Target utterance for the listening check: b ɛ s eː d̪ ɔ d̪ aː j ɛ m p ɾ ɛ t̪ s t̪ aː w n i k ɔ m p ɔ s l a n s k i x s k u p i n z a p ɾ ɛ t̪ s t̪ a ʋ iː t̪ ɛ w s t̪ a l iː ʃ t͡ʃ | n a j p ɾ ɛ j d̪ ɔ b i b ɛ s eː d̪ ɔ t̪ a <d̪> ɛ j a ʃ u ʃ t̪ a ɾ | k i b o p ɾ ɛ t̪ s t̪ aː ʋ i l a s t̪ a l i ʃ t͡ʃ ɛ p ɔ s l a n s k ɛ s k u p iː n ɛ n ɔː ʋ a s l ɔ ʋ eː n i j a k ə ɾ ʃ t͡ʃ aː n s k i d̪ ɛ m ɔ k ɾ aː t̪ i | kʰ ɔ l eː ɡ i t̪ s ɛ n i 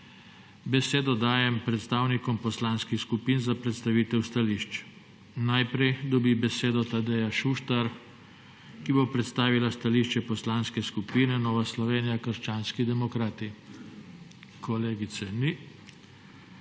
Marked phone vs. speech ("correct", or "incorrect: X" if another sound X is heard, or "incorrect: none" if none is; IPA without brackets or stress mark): correct